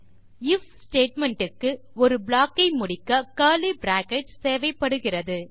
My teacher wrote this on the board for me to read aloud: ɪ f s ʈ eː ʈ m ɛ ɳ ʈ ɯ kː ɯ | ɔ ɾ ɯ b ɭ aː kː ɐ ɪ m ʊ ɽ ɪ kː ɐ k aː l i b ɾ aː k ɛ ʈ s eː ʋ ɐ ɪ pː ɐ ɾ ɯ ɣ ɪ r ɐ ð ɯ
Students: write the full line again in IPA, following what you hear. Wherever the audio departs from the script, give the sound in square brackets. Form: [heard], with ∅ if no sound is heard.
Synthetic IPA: ɪ f s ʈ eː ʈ m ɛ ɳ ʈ ɯ kː ɯ | ɔ ɾ ɯ b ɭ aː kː ɐ ɪ m ʊ ɽ ɪ kː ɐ k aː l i b ɾ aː k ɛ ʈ s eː ʋ ɐ ɪ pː ɐ [ɽ] ɯ ɣ ɪ r ɐ ð ɯ